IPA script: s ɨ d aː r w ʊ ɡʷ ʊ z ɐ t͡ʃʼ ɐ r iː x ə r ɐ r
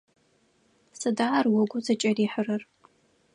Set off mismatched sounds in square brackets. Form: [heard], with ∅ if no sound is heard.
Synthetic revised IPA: s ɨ d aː r w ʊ ɡʷ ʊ z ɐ t͡ʃʼ ɐ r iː [ħ] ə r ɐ r